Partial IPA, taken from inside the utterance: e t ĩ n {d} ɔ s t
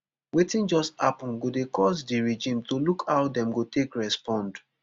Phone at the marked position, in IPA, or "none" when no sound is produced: d͡ʒ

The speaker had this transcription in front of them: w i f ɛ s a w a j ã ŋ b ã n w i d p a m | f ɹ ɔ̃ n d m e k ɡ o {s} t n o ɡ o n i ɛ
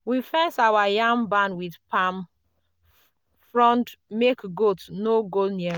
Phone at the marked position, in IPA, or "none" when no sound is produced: none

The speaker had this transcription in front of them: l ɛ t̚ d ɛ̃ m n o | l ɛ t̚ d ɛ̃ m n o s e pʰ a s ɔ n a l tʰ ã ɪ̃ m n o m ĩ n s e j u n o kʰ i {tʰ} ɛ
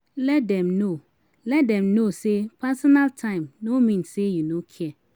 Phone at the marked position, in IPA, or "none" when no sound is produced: none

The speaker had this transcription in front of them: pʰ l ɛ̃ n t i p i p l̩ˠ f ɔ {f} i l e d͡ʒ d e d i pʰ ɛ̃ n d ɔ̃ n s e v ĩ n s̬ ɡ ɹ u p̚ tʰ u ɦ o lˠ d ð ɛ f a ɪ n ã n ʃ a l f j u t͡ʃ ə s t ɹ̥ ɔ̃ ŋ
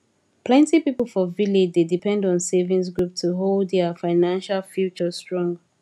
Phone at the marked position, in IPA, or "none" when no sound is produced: v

